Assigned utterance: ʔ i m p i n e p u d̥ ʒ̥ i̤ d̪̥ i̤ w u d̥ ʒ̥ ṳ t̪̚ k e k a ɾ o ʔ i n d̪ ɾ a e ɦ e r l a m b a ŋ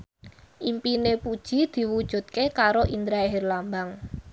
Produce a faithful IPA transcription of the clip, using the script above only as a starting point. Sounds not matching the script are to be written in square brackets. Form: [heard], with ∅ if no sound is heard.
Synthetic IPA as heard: ʔ i m p i n e p u d̥ ʒ̥ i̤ d̪̥ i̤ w u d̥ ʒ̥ ṳ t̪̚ k e k a ɾ o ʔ i n d̪ ɾ a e ɦ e r l a m b a ŋ

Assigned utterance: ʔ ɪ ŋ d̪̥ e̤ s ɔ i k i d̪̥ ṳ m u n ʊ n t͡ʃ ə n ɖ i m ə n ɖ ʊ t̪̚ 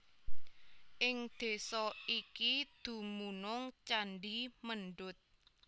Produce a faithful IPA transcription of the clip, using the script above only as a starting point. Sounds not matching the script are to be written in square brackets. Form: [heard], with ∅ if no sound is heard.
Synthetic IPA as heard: ʔ ɪ ŋ d̪̥ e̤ s ɔ i k i d̪̥ ṳ m u n ʊ [ŋ] t͡ʃ [a] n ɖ i m ə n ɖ ʊ t̪̚

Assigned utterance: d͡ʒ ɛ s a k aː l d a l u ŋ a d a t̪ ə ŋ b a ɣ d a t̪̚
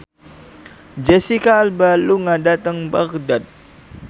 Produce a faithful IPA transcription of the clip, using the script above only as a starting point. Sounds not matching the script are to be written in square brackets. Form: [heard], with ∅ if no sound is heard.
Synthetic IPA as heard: d͡ʒ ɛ s [i] k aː l [b] a l u ŋ a d a t̪ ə ŋ b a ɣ d a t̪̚

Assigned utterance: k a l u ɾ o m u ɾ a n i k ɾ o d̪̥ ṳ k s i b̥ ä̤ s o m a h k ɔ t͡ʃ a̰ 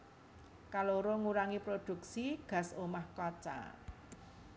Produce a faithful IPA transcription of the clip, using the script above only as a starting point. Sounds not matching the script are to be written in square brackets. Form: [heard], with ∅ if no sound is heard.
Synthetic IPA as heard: k a l [o] ɾ o [ŋ] u ɾ a [ŋ] i [p] ɾ o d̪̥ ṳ k s i [ɡ̥] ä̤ s o m a h k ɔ t͡ʃ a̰

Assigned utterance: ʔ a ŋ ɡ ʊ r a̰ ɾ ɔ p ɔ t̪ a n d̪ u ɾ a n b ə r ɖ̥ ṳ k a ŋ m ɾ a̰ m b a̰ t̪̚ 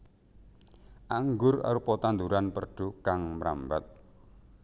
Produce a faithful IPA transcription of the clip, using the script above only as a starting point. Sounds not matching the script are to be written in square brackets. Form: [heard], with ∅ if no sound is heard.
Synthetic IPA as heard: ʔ a ŋ ɡ ʊ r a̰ ɾ [u] p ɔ t̪ a n d̪ u ɾ a n [p] ə r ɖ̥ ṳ k a ŋ m ɾ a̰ m b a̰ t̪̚

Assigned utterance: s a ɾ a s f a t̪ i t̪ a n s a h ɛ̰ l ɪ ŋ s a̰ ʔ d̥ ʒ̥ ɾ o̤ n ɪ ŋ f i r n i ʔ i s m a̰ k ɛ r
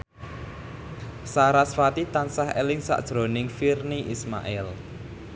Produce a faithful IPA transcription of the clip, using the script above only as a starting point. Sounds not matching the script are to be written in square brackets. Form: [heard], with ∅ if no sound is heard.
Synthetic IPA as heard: s a ɾ a s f a t̪ i t̪ a n s a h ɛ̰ l ɪ ŋ s a̰ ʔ d̥ ʒ̥ ɾ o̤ n ɪ ŋ f i r n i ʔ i s m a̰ [ʔ] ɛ [l]

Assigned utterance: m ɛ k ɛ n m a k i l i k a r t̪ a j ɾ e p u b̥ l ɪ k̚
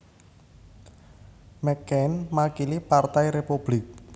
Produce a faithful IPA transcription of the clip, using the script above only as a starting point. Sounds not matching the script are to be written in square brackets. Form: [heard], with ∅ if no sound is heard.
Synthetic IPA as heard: m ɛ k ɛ n m a k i l i [p] a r t̪ a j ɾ e p u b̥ l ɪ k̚

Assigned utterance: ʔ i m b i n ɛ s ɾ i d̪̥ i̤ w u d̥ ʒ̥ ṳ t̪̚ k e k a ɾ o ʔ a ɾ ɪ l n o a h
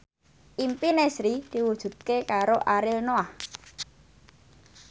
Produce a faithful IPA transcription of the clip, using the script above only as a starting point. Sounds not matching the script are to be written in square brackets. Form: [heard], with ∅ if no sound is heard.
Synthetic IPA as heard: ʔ i m [p] i n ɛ s ɾ i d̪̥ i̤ w u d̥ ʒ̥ ṳ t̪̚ k e k a ɾ o ʔ a ɾ ɪ l n o a h

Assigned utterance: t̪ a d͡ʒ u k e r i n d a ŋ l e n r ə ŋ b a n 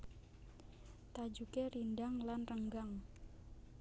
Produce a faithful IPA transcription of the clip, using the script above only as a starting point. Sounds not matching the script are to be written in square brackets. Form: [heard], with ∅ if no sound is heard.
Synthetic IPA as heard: t̪ a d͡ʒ u k e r i n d a ŋ l [a] n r ə ŋ [ɡ] a [ŋ]

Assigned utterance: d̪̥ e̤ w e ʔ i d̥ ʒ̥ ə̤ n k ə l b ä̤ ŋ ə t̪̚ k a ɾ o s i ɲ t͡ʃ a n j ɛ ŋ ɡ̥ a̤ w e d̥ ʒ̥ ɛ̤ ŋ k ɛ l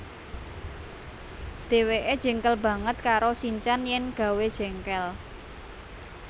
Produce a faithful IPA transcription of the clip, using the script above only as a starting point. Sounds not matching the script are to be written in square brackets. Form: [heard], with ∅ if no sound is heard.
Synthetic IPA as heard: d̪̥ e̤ w e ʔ [e] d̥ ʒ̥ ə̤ [ŋ] k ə l b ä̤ ŋ ə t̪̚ k a ɾ o s i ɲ t͡ʃ a n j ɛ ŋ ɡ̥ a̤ w e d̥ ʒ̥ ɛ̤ ŋ k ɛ l

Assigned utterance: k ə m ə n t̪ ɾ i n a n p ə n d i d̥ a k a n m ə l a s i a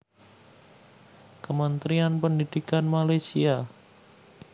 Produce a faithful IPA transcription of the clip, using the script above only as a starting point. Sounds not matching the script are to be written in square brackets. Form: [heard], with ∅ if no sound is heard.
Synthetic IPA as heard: k ə m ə n t̪ ɾ i [∅] a n p ə n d i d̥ [i] k a n m [a] l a s i a

